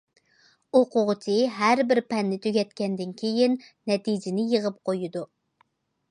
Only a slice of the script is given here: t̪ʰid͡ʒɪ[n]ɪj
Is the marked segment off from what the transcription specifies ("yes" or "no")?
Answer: no